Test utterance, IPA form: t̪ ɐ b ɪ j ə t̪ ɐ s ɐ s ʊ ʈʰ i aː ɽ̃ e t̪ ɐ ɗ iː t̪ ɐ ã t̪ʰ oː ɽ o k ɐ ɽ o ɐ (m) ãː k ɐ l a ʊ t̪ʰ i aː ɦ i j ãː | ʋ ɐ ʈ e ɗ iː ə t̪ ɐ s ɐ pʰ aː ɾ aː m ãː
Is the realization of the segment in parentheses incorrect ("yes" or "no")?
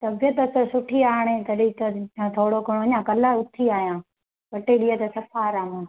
yes